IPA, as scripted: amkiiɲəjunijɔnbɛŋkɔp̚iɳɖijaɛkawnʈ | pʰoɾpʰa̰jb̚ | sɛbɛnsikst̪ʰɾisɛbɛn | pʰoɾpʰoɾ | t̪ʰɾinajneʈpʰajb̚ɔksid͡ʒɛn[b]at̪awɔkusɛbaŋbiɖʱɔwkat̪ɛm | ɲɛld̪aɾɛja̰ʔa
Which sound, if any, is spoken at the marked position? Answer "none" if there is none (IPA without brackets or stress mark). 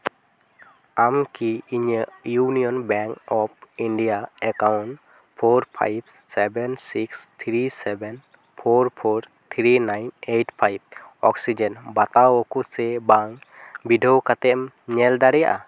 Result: b